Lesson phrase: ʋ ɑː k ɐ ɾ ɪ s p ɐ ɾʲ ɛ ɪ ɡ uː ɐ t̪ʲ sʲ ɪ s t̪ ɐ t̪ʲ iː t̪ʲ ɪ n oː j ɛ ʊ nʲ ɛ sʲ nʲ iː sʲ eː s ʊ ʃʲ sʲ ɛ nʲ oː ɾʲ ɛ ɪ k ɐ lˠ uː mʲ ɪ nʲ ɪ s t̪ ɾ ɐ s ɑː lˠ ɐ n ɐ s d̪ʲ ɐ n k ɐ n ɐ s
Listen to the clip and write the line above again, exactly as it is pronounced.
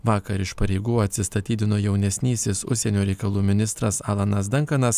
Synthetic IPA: ʋ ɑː k ɐ ɾ ɪ ʃ p ɐ ɾʲ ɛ ɪ ɡ uː ɐ t̪ʲ sʲ ɪ s t̪ ɐ t̪ʲ iː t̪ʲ ɪ n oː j ɛ ʊ nʲ ɛ sʲ nʲ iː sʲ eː s ʊ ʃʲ sʲ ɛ nʲ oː ɾʲ ɛ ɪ k ɐ lˠ uː mʲ ɪ nʲ ɪ s t̪ ɾ ɐ s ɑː lˠ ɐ n ɐ s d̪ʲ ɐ ŋ k ɐ n ɐ s